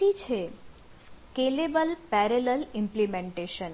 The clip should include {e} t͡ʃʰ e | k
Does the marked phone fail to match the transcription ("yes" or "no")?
yes